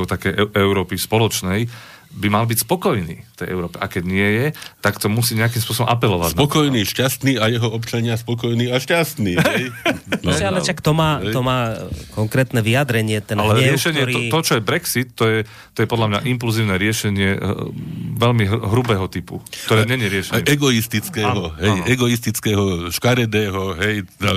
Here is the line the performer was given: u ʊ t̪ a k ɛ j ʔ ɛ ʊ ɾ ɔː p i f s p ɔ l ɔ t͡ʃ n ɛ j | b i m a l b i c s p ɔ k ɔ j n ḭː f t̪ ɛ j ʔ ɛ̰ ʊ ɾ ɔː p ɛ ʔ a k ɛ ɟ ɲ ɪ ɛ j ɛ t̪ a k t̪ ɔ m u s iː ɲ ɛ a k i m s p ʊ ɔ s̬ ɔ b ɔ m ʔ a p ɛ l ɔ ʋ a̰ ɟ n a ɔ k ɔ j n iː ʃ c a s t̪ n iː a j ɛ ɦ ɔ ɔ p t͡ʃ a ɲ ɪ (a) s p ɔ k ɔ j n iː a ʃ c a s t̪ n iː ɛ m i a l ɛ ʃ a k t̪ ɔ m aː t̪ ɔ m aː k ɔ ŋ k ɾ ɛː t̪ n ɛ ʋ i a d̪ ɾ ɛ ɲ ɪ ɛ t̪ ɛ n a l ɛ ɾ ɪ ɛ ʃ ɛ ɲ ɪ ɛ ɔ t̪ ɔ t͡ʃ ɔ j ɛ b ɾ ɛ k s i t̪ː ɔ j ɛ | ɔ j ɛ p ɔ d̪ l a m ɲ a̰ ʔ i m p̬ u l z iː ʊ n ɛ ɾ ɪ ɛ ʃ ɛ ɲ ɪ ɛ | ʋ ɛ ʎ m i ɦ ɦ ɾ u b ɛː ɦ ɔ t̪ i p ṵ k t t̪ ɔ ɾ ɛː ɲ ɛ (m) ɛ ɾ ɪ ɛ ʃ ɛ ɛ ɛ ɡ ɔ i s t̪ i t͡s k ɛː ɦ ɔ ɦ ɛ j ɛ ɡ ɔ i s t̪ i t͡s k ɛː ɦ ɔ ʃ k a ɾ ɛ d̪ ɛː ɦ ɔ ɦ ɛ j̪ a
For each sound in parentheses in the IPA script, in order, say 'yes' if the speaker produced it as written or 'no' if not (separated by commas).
yes, no